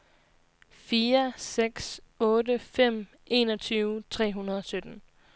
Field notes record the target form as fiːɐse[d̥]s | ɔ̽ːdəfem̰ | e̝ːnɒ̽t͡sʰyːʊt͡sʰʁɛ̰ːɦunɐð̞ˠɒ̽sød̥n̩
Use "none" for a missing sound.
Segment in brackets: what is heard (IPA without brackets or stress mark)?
ɡ̥